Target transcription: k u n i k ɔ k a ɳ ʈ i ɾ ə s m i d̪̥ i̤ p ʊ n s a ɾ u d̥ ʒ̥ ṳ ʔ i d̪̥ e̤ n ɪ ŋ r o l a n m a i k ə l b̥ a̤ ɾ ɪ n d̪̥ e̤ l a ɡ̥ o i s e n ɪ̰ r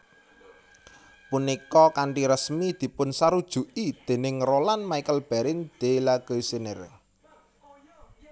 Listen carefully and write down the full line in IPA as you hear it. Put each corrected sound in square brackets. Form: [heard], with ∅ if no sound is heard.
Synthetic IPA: [p] u n i k ɔ k a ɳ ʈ i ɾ ə s m i d̪̥ i̤ p ʊ n s a ɾ u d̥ ʒ̥ ṳ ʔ i d̪̥ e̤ n ɪ ŋ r o l a n m a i k ə l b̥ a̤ ɾ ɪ n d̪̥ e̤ l a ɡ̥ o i s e n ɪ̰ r

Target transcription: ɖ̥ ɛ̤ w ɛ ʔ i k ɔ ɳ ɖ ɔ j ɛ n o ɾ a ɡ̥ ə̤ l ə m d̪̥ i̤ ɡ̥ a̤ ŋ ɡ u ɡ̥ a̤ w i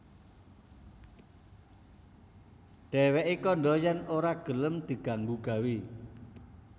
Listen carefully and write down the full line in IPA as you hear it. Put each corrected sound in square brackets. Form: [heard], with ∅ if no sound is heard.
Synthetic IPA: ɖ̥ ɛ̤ w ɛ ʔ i k ɔ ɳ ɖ ɔ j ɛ n o ɾ a ɡ̥ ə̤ l ə m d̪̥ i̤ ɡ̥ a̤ ŋ ɡ u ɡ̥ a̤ w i

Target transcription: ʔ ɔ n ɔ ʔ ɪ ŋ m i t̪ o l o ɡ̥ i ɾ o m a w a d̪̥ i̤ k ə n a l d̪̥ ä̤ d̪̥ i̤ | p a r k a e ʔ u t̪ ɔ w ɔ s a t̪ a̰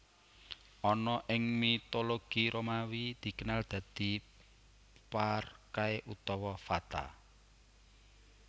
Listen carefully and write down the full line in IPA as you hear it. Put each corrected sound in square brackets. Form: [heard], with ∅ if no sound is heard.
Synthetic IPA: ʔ ɔ n ɔ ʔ ɪ ŋ m i t̪ o l o ɡ̥ i ɾ o m a w [i] d̪̥ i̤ k ə n a l d̪̥ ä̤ d̪̥ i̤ | p a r k a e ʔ u t̪ ɔ w ɔ [f] a t̪ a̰

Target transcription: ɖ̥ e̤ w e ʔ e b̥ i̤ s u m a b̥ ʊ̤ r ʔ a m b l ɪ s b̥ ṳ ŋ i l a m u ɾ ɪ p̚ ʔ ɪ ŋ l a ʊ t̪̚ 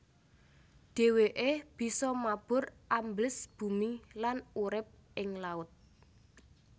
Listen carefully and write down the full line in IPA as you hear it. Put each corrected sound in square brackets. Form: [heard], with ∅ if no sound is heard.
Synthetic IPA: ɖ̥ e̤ w e ʔ e b̥ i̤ s [ɔ] m a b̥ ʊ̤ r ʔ a m b l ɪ s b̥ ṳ [m] i l a [n] u ɾ ɪ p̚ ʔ ɪ ŋ l a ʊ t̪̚

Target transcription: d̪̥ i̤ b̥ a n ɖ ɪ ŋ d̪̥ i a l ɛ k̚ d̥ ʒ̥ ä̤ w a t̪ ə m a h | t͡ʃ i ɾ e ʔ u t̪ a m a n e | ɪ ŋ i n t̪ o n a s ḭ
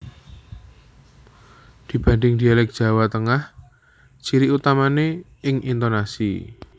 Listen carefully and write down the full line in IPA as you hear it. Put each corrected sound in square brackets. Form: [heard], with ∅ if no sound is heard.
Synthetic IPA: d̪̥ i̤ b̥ a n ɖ ɪ ŋ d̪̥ i a l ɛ k̚ d̥ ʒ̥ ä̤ w a t̪ ə [ŋ] a h | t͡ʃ i ɾ [i] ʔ u t̪ a m a n e | ɪ ŋ i n t̪ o n a s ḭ

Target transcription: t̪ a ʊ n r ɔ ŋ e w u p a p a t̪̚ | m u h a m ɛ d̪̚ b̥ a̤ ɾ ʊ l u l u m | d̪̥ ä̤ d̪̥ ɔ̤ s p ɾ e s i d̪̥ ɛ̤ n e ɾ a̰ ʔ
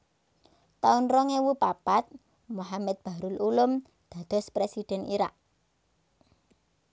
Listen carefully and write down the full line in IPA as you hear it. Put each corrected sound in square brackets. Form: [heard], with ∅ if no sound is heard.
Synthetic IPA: t̪ a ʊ n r ɔ ŋ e w u p a p a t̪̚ | m u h a m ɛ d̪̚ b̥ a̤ ɾ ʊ l u l [ʊ] m | d̪̥ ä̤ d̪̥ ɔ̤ s p ɾ e s i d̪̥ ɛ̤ n [i] ɾ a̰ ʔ

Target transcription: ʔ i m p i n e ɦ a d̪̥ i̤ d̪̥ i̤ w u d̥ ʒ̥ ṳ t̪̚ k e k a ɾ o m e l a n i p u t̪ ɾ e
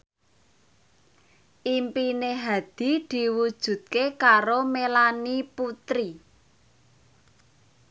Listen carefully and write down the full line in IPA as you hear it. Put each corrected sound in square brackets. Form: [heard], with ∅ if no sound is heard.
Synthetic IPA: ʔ i m p i n e ɦ a d̪̥ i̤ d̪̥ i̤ w u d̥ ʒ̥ ṳ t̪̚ k e k a ɾ o m e l a n i p u t̪ ɾ [i]

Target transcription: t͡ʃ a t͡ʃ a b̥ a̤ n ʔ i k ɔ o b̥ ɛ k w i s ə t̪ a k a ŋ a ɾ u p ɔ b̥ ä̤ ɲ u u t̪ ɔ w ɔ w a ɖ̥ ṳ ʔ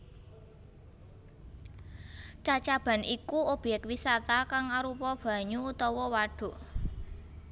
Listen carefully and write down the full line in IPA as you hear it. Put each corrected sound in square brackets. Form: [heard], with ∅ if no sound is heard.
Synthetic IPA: t͡ʃ a t͡ʃ a b̥ a̤ n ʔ i k [u] o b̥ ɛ k w i s [a] t̪ a k a ŋ a ɾ u p ɔ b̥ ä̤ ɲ u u t̪ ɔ w ɔ w a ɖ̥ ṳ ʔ

